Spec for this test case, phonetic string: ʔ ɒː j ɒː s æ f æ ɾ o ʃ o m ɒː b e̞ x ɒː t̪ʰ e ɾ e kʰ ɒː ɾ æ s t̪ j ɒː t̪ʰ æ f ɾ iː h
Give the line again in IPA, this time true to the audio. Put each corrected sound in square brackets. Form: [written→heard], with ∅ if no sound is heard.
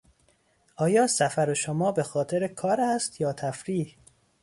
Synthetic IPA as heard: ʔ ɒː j ɒː s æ f æ ɾ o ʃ o m ɒː b e̞ x ɒː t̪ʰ e ɾ e kʰ ɒː ɾ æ s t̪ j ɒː t̪ʰ æ f ɾ iː h